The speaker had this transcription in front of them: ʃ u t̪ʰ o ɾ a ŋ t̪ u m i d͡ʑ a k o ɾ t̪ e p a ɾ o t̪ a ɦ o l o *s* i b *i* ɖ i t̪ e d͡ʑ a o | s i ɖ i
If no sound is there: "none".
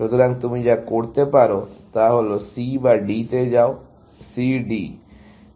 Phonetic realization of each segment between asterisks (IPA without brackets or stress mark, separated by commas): s, a